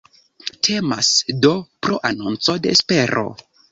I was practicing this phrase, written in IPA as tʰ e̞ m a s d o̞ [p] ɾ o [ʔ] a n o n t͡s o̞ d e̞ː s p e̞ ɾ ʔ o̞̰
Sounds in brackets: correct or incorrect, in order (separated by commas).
correct, correct